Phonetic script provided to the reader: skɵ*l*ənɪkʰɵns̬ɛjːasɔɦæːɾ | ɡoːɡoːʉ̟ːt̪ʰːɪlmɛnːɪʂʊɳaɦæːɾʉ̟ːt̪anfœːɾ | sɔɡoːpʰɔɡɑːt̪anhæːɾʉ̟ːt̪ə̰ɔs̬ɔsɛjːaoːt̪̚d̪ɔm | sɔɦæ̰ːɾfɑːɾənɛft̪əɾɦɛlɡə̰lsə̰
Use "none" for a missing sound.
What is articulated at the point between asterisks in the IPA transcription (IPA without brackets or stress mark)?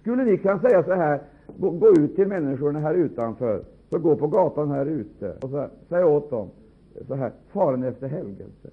lː